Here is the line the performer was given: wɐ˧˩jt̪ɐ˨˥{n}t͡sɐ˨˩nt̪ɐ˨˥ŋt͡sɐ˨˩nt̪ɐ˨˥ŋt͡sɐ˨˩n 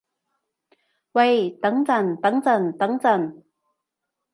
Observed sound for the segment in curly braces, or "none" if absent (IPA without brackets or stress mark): ŋ